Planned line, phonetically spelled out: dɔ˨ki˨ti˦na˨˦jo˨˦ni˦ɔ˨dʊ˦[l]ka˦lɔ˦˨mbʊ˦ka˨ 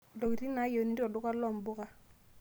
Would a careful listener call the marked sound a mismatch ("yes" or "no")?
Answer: yes